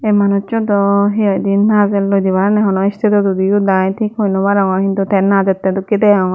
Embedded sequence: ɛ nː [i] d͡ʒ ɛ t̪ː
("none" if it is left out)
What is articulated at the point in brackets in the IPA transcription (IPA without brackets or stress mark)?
a